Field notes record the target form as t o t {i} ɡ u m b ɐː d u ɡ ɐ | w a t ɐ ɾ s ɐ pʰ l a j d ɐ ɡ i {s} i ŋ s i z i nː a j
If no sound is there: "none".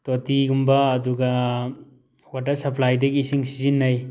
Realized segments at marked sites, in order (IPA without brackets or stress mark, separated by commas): i, s